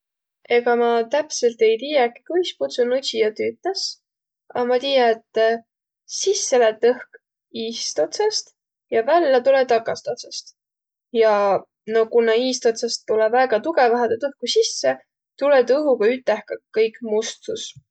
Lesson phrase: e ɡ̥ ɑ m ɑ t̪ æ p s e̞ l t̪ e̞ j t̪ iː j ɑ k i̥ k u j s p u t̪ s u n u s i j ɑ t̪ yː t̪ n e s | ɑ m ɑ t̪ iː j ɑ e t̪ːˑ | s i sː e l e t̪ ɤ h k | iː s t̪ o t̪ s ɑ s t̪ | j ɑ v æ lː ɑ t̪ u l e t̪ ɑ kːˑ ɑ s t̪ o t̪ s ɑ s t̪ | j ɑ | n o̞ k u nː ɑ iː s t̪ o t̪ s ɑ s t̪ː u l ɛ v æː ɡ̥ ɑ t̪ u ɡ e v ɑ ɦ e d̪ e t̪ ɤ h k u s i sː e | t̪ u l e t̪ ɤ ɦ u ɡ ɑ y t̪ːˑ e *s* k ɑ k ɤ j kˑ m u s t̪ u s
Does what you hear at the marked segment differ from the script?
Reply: yes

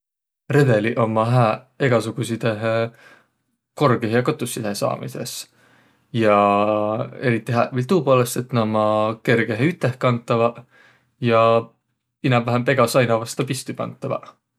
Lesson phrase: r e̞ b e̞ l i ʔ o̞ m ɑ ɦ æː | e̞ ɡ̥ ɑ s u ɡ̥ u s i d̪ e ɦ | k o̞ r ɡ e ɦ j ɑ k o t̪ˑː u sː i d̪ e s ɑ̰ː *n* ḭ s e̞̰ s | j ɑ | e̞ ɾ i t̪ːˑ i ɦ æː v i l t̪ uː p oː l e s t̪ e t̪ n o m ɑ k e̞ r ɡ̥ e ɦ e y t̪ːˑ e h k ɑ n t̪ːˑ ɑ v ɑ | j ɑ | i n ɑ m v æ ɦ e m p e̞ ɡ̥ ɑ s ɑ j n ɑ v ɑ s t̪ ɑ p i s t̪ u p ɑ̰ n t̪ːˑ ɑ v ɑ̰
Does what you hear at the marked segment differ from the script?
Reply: yes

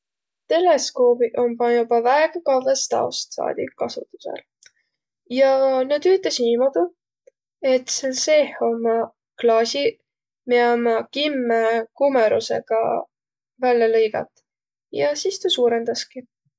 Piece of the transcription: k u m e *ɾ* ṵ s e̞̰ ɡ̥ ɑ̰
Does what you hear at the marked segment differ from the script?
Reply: no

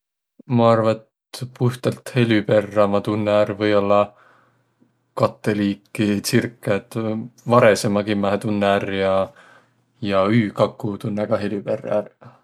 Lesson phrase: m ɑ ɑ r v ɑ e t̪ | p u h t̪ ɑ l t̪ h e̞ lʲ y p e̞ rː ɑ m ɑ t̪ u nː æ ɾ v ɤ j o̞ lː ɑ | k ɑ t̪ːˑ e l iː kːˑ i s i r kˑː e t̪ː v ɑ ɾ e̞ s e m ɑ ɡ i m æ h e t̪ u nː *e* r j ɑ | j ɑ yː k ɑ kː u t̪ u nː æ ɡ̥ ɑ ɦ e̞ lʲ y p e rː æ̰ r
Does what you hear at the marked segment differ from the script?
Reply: yes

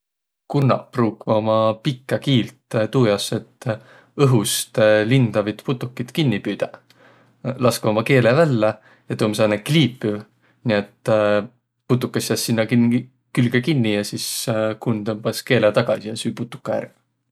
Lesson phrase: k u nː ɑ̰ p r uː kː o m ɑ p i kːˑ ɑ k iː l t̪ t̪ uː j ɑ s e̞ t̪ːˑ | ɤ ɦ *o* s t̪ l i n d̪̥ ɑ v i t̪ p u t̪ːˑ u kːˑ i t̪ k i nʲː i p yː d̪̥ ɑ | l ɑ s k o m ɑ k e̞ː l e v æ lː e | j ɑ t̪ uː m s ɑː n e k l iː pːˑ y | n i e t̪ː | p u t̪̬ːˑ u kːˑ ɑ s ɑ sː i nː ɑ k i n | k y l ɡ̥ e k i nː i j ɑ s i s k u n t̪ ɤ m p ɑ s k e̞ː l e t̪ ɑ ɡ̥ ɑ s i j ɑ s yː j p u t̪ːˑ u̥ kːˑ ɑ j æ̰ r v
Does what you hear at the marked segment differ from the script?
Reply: yes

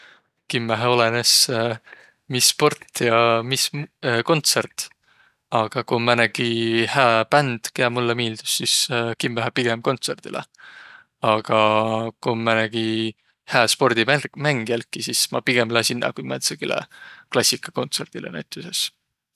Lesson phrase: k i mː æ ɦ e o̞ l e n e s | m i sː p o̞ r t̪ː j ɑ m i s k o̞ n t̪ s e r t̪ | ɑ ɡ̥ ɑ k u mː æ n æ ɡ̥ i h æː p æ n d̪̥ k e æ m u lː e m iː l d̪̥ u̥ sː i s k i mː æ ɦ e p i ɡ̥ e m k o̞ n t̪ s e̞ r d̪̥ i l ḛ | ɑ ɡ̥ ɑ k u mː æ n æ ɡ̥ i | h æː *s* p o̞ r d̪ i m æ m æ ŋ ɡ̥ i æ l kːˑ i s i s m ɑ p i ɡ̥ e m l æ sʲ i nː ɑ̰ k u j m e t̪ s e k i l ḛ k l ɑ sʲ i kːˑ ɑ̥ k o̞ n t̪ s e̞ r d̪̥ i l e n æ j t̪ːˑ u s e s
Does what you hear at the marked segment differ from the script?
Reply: no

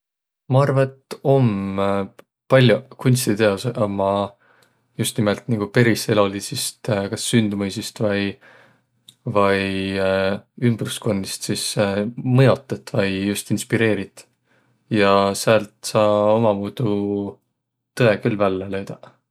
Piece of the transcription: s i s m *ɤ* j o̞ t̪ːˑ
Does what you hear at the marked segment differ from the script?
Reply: no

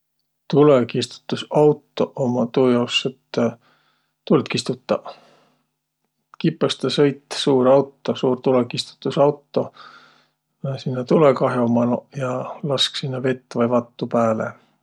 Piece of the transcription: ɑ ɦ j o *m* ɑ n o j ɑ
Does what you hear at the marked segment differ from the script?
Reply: no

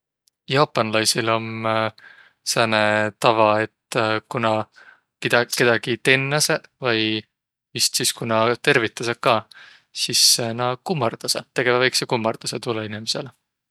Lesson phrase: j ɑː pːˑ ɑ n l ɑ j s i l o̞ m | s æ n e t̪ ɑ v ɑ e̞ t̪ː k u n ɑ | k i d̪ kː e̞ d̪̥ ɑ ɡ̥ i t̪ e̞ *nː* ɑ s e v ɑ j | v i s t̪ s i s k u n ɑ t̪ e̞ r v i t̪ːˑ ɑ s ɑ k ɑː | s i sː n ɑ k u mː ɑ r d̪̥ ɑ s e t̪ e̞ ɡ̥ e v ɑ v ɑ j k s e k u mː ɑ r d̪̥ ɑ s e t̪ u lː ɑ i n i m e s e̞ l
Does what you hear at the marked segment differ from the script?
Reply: no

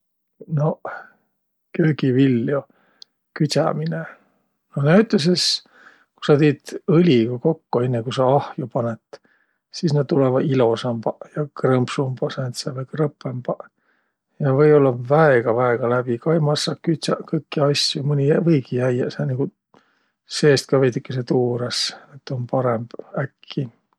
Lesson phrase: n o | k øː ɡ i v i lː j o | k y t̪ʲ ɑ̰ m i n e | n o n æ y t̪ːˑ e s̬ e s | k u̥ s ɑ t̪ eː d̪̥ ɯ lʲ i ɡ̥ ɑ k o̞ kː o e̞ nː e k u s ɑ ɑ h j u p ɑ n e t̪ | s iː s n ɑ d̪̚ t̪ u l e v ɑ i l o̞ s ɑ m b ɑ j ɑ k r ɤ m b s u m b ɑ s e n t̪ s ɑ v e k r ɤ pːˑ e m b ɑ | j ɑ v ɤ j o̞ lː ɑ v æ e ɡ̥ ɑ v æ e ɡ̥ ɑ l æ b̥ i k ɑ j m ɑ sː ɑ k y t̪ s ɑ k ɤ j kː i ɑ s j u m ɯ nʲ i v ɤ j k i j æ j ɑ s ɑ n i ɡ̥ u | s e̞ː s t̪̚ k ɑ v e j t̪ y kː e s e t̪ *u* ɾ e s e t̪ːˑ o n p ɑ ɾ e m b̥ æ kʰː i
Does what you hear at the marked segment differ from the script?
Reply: yes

